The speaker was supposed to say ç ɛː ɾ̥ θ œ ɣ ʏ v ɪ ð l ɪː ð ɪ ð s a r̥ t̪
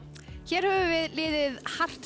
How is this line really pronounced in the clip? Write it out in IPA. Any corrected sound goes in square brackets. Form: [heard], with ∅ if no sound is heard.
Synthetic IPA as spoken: ç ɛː ɾ̥ [h] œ [v] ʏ v ɪ ð l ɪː ð ɪ ð [h] a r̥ t̪